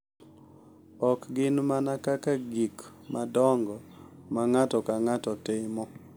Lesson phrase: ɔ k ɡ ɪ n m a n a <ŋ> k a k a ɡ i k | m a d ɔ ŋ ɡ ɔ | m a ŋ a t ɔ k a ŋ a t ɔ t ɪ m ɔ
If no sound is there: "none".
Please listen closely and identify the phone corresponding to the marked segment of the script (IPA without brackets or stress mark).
none